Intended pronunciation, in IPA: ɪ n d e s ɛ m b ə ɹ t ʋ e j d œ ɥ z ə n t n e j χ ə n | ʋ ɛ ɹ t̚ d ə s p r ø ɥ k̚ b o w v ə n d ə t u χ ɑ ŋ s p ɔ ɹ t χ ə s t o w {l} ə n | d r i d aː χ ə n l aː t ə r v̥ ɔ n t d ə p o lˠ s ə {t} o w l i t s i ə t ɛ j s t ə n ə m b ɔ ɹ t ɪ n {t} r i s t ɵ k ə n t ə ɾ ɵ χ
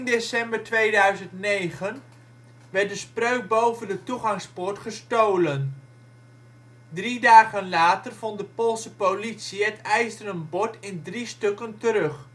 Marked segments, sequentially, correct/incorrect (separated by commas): correct, incorrect, incorrect